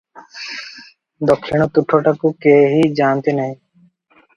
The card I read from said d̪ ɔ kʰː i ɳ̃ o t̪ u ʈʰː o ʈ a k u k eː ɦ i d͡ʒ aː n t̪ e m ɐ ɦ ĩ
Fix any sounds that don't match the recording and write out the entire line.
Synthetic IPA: d̪ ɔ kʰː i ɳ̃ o t̪ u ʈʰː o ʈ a k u k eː ɦ i d͡ʒ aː n t̪ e n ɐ ɦ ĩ